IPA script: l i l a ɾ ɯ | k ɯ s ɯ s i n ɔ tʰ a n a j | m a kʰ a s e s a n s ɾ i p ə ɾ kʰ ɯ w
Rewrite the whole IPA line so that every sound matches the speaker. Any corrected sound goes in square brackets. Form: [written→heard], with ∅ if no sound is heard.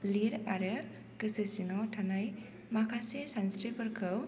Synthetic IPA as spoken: l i [l→ɾ] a ɾ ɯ | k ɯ s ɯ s i n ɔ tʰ a n a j | m a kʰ a s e s a n s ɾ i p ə ɾ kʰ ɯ w